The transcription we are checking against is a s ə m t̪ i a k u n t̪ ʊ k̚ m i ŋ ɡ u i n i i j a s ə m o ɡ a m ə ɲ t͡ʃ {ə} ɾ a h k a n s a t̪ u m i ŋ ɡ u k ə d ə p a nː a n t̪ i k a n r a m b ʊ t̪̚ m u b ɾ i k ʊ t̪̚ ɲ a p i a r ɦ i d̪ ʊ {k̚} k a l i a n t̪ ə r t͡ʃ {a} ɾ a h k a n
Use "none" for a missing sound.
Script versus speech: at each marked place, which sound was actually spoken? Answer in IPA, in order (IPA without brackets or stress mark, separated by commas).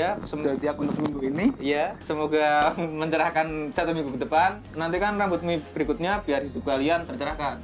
ə, p̚, ə